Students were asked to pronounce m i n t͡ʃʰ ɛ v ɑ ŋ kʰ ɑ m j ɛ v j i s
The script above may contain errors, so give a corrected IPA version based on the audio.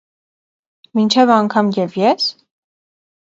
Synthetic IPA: m i n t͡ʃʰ ɛ v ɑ ŋ kʰ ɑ m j ɛ v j ɛ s